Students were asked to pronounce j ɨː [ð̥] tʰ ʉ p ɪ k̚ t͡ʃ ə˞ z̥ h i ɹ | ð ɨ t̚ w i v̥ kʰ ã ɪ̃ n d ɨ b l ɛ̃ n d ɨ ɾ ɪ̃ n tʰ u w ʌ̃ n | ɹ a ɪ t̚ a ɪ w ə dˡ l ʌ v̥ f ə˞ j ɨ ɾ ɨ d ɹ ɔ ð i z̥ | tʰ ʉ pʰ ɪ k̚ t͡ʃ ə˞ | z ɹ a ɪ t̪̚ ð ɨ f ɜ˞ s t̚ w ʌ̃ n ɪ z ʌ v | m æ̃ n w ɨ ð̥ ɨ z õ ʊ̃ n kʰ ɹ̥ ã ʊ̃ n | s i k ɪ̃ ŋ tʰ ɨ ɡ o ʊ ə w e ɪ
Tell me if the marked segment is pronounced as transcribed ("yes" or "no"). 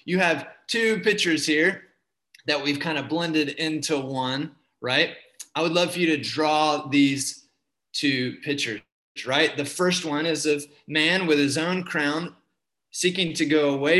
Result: no